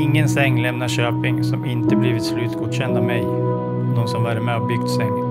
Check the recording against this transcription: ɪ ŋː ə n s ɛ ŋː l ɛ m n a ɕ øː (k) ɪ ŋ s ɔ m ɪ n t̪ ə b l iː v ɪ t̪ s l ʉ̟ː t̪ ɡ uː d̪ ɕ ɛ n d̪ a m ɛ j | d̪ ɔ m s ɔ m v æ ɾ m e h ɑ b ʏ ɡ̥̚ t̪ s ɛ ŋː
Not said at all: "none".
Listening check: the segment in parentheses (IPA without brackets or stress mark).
p